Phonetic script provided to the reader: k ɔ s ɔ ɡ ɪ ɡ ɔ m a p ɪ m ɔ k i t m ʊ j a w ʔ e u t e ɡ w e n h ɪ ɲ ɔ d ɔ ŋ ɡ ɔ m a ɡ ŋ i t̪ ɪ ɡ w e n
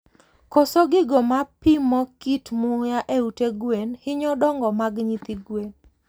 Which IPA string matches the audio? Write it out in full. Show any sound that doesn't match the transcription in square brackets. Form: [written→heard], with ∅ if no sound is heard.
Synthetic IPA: k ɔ s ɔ ɡ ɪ ɡ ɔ m a p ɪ m ɔ k i t m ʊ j a [w→∅] ʔ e u t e ɡ w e n h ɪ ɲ ɔ d ɔ ŋ ɡ ɔ m a ɡ [ŋ→ɲ] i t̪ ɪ ɡ w e n